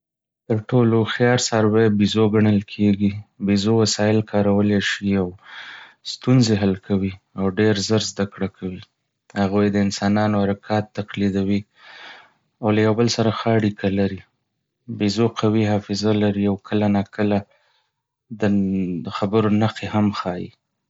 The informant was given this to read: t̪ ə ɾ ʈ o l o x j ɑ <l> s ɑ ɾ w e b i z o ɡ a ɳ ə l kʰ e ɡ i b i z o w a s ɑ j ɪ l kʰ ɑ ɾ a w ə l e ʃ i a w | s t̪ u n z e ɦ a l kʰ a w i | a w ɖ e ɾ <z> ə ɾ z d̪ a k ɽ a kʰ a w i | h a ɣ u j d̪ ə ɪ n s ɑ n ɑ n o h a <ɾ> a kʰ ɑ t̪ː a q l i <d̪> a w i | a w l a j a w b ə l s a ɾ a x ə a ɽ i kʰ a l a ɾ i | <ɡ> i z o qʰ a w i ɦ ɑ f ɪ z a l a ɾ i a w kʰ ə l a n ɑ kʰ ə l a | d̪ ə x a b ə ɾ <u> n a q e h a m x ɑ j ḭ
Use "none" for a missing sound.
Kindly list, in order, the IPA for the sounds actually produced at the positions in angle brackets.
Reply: ɾ, z, ɾ, d̪, b, o

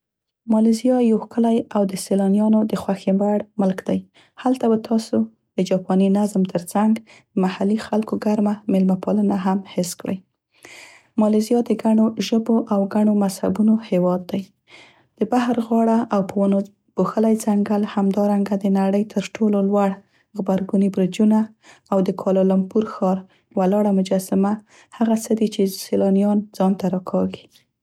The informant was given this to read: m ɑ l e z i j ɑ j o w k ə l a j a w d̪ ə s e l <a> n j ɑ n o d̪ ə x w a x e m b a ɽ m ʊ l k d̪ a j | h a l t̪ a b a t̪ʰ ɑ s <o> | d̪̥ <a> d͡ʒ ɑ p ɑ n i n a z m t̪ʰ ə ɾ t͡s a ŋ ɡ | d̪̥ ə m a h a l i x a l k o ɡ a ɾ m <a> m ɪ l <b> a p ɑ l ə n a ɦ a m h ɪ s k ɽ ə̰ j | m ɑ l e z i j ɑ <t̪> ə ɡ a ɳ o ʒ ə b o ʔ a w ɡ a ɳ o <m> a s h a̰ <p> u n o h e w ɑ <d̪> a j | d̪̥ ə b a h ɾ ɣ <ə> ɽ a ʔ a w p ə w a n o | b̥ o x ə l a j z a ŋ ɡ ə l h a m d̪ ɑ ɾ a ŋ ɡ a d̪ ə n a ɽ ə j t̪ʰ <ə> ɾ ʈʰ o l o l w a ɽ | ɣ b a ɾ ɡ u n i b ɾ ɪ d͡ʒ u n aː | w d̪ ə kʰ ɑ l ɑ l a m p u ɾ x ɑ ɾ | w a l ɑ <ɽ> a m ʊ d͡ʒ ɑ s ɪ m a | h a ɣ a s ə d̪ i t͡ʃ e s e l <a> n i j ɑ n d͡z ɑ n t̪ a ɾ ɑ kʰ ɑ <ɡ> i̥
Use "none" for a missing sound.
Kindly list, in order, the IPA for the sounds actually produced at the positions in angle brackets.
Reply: ɑ, o, ə, a, m, d̪, m, b, d̪ː, ɑ, ə, ɽ, ɑ, ɡ

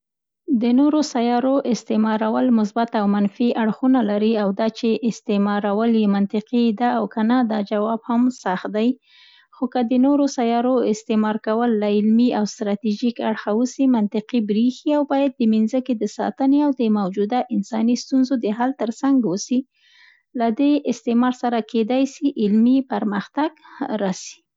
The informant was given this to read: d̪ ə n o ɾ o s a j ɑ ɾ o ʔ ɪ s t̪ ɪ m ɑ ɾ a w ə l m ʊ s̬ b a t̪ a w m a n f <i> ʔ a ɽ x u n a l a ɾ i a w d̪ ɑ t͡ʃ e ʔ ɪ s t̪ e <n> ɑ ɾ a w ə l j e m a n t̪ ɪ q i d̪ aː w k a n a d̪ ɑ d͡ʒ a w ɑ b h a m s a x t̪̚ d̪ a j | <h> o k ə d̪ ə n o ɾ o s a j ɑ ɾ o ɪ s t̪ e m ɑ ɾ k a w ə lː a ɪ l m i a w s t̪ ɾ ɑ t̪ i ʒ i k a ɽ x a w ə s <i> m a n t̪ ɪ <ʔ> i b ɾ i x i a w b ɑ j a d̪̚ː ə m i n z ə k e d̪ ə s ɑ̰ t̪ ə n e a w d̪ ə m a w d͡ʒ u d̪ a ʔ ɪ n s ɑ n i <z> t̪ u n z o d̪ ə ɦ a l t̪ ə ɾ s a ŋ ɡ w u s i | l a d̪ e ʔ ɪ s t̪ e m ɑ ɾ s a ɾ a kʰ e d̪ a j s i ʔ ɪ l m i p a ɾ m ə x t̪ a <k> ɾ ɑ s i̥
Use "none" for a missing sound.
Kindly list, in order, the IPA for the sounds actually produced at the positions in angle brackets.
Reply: i, m, x, i, q, s, ɡ

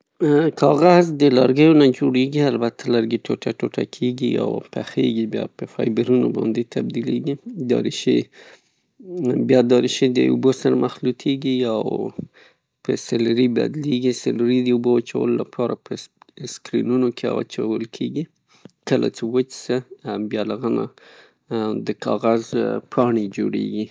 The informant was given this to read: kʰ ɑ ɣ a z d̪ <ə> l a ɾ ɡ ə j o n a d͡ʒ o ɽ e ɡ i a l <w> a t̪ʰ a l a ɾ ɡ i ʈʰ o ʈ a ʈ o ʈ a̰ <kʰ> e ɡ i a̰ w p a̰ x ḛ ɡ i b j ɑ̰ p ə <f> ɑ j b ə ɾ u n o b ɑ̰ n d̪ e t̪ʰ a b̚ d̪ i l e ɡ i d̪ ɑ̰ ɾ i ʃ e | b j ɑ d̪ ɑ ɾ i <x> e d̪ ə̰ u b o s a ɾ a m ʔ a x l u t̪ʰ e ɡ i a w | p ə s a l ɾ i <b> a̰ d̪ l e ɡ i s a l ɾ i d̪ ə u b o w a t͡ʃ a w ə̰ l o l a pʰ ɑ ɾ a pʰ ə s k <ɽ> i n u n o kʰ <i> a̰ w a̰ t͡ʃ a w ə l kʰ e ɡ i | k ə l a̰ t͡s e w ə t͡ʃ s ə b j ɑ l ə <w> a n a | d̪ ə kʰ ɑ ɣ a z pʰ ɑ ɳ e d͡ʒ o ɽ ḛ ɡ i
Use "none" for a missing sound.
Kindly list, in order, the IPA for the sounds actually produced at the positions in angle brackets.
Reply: ə, b, kʰ, f, ʃ, b, ɾ, e, ɣ

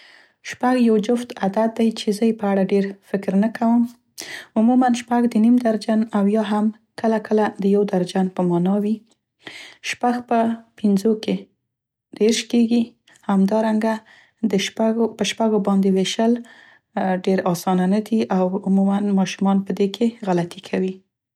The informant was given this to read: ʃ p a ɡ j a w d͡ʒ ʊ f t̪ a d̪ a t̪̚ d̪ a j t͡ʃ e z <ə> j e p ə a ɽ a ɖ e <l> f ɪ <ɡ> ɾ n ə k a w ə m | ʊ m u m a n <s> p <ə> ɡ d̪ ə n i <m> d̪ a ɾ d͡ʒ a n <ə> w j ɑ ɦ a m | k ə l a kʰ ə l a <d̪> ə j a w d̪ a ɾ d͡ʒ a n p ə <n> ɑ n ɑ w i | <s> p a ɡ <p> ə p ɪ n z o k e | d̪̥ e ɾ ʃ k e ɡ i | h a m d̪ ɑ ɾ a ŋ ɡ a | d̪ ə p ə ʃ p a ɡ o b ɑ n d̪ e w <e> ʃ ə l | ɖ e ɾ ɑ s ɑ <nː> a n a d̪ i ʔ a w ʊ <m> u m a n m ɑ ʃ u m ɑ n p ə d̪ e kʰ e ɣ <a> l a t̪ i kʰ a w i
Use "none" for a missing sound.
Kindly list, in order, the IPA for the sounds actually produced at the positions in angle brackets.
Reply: ə, ɾ, k, ʃ, a, m, a, d̪, m, ʃ, p, e, n, m, a

